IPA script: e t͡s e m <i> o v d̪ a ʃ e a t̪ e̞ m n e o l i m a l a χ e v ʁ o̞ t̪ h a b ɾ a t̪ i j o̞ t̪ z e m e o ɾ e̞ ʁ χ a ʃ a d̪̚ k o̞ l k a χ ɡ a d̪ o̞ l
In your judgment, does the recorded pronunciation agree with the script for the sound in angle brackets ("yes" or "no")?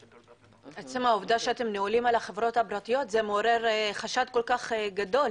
no